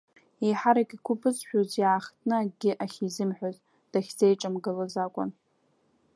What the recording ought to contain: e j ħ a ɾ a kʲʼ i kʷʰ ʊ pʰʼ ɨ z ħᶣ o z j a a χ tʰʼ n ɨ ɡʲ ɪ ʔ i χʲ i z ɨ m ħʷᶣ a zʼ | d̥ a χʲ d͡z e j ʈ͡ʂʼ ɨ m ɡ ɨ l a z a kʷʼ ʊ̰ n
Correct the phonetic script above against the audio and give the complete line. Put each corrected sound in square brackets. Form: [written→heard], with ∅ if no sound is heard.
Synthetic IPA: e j ħ a ɾ a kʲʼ i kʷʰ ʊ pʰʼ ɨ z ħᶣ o z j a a χ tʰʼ n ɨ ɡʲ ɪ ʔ [i→a] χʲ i z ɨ m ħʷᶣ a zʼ | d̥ a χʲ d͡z e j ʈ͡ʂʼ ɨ m ɡ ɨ l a z a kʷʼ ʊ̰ n